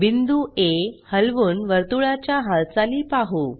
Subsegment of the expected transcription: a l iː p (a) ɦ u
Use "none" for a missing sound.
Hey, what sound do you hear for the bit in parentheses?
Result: a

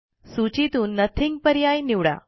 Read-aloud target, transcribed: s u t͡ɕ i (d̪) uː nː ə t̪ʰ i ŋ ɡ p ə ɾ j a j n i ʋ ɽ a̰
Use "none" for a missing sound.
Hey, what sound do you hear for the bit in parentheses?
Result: t̪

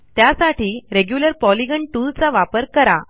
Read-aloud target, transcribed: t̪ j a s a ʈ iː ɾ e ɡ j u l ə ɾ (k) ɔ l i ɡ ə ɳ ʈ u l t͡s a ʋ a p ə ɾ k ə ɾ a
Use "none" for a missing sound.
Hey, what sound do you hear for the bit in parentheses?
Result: p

